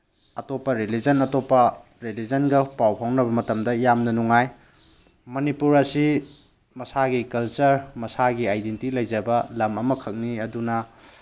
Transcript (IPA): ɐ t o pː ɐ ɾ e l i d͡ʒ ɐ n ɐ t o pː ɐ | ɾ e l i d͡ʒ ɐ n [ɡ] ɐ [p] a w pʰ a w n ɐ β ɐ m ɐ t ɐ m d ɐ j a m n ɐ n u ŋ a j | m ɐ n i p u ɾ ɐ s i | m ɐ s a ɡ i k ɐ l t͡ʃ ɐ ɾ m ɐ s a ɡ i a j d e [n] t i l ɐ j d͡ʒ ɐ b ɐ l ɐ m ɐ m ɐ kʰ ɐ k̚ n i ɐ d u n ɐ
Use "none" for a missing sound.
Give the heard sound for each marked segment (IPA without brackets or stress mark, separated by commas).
ɡ, p, n